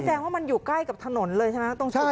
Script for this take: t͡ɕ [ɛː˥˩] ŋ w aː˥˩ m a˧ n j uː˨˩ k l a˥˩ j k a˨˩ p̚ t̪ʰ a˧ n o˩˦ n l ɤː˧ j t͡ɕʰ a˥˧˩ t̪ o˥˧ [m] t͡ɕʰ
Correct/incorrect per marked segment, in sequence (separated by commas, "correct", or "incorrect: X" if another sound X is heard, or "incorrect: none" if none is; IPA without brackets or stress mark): incorrect: ɛː˧, incorrect: ŋ